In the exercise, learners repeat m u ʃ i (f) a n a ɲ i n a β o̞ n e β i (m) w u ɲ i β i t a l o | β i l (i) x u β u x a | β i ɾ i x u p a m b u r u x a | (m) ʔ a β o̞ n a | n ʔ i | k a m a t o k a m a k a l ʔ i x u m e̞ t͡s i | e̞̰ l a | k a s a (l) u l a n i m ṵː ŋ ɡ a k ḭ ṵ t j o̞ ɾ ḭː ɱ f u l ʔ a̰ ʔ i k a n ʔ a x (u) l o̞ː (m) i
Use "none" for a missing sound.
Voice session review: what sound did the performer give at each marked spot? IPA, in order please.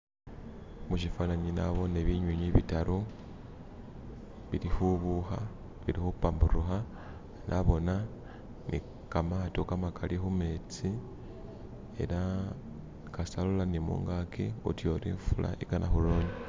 f, ɲ, i, n, l, u, ɲ

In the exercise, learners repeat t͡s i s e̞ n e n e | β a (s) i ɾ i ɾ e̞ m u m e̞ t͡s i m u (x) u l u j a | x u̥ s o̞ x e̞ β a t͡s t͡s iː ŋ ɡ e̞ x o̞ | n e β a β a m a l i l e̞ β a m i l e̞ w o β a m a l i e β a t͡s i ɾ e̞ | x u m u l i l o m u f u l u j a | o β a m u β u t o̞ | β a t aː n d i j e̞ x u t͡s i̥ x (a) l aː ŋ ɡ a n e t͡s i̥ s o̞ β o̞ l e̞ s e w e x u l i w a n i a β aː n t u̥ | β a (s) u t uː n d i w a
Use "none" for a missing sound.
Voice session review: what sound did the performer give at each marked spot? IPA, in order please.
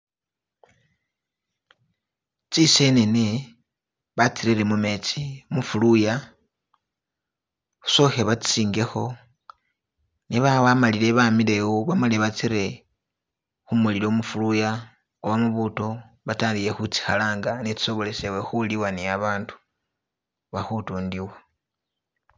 t͡s, f, a, x

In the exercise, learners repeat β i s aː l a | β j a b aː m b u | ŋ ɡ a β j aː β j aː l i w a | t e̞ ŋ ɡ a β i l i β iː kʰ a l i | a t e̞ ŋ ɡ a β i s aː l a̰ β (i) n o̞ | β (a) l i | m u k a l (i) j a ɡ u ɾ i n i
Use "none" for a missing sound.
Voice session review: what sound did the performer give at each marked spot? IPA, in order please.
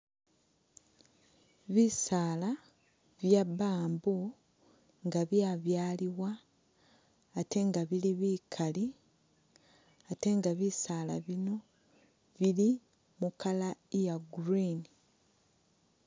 i, i, a

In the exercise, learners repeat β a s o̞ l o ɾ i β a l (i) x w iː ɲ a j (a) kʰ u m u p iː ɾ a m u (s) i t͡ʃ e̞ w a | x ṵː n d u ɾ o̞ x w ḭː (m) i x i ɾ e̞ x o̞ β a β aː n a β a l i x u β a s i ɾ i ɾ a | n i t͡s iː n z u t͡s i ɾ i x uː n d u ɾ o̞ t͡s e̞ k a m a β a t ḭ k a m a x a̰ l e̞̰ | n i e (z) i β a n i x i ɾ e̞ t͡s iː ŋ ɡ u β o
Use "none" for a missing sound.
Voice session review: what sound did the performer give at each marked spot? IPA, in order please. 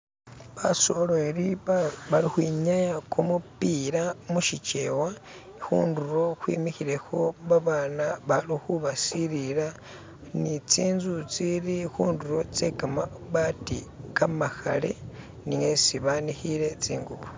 i, a, ʃ, m, s

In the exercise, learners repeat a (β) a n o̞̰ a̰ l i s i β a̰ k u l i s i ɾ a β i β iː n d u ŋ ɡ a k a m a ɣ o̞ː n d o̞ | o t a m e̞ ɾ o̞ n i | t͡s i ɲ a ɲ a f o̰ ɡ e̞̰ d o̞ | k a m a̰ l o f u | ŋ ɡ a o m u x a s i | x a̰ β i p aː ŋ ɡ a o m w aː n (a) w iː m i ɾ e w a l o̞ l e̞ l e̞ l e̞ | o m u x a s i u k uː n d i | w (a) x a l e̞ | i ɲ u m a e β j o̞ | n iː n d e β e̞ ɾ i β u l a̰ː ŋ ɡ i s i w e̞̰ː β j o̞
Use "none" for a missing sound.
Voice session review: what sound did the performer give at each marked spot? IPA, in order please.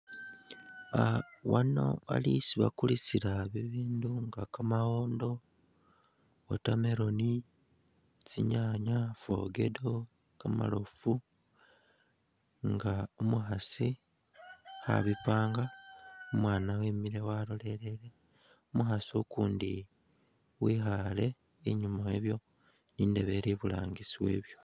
w, a, i

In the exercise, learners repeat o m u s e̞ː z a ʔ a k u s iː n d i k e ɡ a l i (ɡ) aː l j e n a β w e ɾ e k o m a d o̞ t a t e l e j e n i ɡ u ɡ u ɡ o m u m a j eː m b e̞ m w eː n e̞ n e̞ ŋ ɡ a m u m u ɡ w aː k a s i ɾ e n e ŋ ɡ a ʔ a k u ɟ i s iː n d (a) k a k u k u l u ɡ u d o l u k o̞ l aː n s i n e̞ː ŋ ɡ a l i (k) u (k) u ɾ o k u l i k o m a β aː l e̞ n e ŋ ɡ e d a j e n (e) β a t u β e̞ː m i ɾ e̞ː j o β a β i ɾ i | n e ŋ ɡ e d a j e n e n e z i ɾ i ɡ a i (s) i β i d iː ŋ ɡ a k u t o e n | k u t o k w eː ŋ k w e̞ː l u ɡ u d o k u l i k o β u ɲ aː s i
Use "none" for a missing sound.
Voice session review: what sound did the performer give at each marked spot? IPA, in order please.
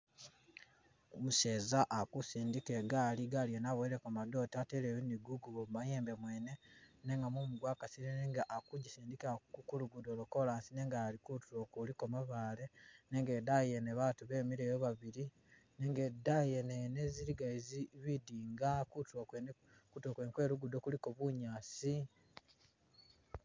ɡ, i, k, t, e, z

